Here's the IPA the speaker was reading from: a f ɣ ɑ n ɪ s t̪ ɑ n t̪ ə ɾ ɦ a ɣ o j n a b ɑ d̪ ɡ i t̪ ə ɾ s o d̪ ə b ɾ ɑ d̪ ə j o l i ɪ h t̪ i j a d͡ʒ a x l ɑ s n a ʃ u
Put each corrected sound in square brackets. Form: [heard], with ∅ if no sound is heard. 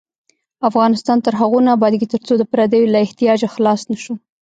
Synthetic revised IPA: a f ɣ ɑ n ɪ s t̪ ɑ n t̪ ə ɾ ɦ a ɣ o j n a b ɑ d̪ ɡ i t̪ ə ɾ [t͡s] o d̪ ə [p] ɾ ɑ d̪ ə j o l [a] ɪ h t̪ i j [ɑ] d͡ʒ a x l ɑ s n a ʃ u